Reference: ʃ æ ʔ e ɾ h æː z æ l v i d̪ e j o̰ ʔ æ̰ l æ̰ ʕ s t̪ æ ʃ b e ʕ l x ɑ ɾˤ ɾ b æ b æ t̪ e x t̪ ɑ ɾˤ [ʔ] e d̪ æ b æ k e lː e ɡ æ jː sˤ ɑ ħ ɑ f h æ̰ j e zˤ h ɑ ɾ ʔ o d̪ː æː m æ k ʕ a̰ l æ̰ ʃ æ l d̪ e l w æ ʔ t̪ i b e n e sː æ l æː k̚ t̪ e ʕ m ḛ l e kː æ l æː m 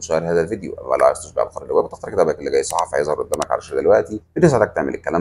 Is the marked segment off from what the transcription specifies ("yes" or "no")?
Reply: yes